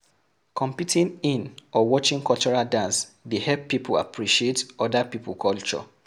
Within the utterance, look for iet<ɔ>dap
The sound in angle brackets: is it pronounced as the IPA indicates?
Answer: yes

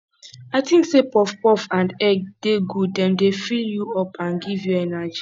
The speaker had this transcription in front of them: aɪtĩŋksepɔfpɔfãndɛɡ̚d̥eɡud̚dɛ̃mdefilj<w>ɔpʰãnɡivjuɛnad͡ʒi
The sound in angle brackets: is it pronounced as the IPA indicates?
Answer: no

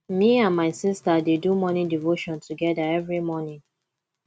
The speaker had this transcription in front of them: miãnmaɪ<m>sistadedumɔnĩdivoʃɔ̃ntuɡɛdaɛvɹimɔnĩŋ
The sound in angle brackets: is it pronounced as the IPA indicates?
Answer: no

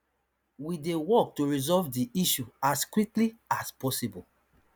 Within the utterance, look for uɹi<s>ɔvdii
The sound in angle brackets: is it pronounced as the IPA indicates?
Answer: no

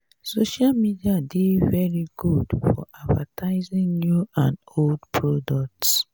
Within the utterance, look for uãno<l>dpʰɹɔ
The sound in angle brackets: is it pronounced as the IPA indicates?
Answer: yes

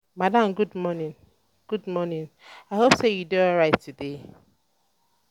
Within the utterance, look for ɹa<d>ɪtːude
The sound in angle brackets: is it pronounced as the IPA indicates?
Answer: no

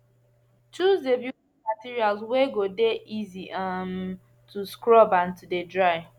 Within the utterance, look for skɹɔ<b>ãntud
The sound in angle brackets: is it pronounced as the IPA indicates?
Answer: yes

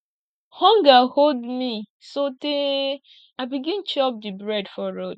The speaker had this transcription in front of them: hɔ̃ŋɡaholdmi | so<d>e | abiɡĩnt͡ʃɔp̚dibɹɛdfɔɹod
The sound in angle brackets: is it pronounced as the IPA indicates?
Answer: no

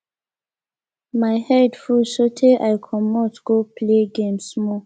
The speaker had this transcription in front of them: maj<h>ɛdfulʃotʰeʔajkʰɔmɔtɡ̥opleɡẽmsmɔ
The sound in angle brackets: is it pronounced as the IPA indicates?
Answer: yes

